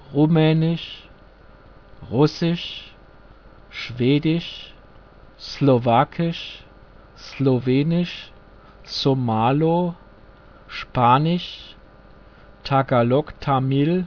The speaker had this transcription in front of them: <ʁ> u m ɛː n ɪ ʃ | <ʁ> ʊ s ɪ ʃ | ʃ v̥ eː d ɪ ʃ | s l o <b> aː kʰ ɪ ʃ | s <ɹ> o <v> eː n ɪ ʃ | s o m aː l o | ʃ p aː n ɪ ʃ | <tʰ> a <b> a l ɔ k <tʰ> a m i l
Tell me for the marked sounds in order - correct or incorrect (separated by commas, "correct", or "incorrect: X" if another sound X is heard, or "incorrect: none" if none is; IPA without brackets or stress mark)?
correct, correct, incorrect: v, incorrect: l, correct, correct, incorrect: ɡ, correct